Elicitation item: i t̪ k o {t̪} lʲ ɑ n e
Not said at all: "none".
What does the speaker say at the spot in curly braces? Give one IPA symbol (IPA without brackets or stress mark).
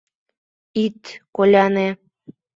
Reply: none